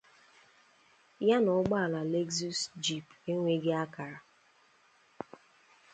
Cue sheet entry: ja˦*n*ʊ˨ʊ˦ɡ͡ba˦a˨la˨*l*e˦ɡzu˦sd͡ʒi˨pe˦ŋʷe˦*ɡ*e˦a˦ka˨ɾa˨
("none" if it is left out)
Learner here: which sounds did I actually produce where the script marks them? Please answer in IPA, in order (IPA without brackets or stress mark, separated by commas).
n, l, ɡ